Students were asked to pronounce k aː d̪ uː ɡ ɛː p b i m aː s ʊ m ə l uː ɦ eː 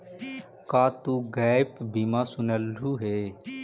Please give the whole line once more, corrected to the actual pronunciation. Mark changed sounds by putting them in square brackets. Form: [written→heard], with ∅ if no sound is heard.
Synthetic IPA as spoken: k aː [d̪→t̪] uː ɡ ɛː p b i m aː s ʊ [m→n] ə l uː ɦ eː